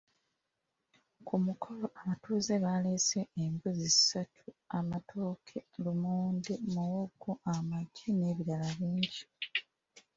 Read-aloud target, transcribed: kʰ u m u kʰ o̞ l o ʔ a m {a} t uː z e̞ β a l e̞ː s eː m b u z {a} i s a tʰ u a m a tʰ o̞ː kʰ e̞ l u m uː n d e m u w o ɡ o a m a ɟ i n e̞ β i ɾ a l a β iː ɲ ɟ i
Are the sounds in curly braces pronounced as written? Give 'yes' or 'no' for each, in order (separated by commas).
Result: yes, no